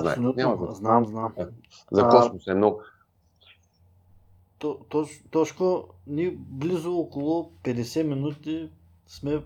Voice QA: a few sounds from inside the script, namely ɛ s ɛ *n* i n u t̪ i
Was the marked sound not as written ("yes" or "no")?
yes